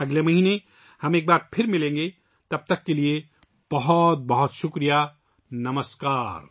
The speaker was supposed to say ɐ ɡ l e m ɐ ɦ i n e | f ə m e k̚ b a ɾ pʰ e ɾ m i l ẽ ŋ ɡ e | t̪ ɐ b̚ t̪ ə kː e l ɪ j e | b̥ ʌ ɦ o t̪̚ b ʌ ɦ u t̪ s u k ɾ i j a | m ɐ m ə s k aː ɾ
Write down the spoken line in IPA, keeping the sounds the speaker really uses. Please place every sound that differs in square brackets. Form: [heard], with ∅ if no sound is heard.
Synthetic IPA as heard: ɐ ɡ l e m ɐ ɦ i n e | [h] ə m e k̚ b a ɾ pʰ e ɾ m i l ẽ ŋ ɡ e | t̪ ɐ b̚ t̪ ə kː e l [i] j e | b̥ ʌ ɦ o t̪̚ b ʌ ɦ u t̪ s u k ɾ i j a | [n] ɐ m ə s k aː ɾ

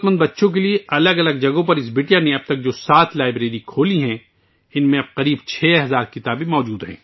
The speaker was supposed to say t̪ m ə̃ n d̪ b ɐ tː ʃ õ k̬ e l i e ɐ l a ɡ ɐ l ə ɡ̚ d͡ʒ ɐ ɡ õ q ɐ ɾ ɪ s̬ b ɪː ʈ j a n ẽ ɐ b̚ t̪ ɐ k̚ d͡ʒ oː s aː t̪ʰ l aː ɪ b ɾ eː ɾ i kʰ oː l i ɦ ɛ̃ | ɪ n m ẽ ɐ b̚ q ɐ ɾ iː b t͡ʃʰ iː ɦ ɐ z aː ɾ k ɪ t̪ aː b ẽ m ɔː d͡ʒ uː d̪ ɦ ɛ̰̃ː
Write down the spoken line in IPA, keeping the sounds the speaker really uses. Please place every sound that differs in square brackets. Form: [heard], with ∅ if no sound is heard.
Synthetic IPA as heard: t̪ m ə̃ n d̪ b ɐ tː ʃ õ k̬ e l i e ɐ l [ə] ɡ ɐ l ə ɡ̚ d͡ʒ ɐ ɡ õ [p] ɐ ɾ ɪ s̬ b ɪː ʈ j a n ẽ ɐ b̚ t̪ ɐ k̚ d͡ʒ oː s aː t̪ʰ l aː ɪ b ɾ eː ɾ i kʰ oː l i ɦ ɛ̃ | ɪ n m ẽ ɐ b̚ q ɐ ɾ iː b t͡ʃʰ [ɛː] ɦ ɐ z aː ɾ k ɪ t̪ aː b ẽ m ɔː d͡ʒ uː d̪ ɦ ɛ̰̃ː

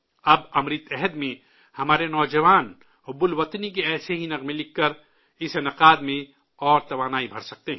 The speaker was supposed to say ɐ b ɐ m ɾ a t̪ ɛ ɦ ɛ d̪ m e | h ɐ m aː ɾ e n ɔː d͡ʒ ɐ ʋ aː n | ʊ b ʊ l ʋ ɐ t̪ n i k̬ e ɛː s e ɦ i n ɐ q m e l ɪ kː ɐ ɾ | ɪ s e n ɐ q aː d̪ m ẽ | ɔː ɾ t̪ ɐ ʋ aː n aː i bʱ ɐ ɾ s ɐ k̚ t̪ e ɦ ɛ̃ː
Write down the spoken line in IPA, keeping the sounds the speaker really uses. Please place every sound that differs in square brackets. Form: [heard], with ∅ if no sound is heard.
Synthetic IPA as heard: ɐ b ɐ m ɾ [i] t̪ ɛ ɦ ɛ d̪ m [ẽ] | h ɐ m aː ɾ e n ɔː d͡ʒ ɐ ʋ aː n | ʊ b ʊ l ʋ ɐ t̪ n i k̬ e ɛː s e ɦ i n ɐ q m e l ɪ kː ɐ ɾ | ɪ s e n ɐ q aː d̪ m ẽ | ɔː ɾ t̪ ɐ ʋ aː n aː i bʱ ɐ ɾ s ɐ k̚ t̪ e ɦ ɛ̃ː

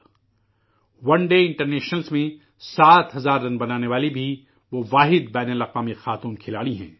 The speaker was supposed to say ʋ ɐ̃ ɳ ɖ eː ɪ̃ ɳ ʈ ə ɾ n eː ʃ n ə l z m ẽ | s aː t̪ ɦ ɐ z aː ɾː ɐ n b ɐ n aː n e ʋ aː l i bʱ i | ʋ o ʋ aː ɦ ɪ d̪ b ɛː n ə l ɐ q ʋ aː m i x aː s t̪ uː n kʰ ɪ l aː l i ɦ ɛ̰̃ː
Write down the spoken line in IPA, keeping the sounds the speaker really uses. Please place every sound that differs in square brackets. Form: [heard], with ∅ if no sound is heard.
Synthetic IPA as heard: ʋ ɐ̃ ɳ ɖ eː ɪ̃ ɳ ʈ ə ɾ n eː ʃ n ə l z m ẽ | s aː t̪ ɦ ɐ z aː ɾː ɐ n b ɐ n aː n e ʋ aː l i bʱ i | ʋ o ʋ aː ɦ ɪ d̪ b ɛː n ə l ɐ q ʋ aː m i x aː [∅] t̪ uː n kʰ ɪ l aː [ɽ] i ɦ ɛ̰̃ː

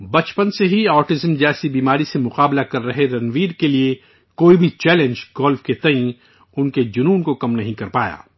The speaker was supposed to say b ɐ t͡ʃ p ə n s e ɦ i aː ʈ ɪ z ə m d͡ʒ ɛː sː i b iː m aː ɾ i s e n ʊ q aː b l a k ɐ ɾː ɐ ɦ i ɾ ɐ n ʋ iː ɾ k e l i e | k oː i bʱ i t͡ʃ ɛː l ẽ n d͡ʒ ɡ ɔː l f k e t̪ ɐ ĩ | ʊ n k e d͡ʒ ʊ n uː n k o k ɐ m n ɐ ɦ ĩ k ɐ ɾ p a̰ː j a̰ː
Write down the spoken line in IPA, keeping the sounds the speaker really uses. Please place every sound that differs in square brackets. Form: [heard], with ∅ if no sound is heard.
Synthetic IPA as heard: b ɐ t͡ʃ p ə n s e ɦ i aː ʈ ɪ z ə m d͡ʒ ɛː [s] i b iː m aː ɾ i s e [m] ʊ q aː b l a k ɐ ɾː ɐ ɦ [e] ɾ ɐ n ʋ iː ɾ k e l i e | k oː i bʱ i t͡ʃ ɛː l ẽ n d͡ʒ ɡ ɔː l f k e t̪ ɐ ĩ | ʊ n k e d͡ʒ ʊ n uː n k o k ɐ m n ɐ ɦ ĩ k ɐ ɾ p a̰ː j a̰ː

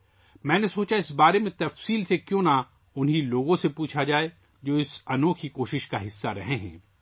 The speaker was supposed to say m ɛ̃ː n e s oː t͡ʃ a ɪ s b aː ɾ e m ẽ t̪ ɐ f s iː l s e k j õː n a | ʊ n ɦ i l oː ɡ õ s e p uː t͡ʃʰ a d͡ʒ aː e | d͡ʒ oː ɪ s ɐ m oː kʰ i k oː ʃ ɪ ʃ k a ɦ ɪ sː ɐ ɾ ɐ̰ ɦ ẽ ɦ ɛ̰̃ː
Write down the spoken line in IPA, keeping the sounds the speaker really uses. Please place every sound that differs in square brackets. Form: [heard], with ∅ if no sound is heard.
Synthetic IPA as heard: m ɛ̃ː n e s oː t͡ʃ a ɪ s b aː ɾ e m ẽ t̪ ɐ f s iː l s e k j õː n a | ʊ n ɦ i l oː ɡ õ s e p uː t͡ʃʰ a d͡ʒ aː e | d͡ʒ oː ɪ s ɐ [n] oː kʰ i k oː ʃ ɪ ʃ k a ɦ ɪ sː [a] ɾ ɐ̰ ɦ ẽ ɦ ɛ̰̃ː

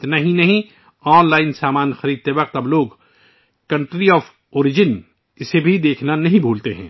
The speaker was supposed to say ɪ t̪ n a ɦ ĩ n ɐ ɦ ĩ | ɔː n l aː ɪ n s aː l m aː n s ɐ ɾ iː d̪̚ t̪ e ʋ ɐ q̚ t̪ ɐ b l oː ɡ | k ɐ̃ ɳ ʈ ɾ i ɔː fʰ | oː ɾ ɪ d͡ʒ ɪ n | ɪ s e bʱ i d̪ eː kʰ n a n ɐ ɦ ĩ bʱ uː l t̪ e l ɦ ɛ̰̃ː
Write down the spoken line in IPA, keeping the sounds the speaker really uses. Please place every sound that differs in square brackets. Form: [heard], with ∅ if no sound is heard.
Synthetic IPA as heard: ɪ t̪ n a ɦ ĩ n ɐ ɦ ĩ | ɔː n l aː ɪ n s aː [∅] m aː n [x] ɐ ɾ iː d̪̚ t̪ e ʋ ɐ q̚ t̪ ɐ b l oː ɡ | k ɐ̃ ɳ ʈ ɾ i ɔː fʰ | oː ɾ ɪ d͡ʒ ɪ n | ɪ s e bʱ i d̪ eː kʰ n a n ɐ ɦ ĩ bʱ uː l t̪ e [∅] ɦ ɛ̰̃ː

